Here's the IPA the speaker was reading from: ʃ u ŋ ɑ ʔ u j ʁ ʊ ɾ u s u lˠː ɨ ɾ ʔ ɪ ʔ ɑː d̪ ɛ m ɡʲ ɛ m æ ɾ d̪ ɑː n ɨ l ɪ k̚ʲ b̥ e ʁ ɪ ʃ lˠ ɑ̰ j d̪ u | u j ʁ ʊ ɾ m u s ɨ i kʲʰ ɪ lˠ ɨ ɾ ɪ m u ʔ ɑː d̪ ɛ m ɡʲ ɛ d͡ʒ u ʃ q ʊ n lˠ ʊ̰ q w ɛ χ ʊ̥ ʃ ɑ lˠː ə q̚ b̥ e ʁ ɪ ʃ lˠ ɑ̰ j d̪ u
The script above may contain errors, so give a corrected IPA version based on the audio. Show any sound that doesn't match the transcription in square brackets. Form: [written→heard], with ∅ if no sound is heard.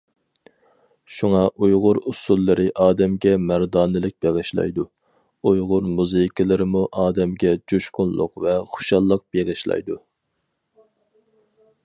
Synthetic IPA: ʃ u ŋ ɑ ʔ u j ʁ ʊ ɾ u s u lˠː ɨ ɾ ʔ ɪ ʔ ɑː d̪ ɛ m ɡʲ ɛ m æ ɾ d̪ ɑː n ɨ l ɪ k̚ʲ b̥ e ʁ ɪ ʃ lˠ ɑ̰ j d̪ u | u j ʁ ʊ ɾ m u [s→z] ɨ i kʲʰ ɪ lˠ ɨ ɾ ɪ m u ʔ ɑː d̪ ɛ m ɡʲ ɛ d͡ʒ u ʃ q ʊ n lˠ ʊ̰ q [w→v] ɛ χ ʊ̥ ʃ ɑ lˠː ə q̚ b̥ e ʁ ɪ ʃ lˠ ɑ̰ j d̪ u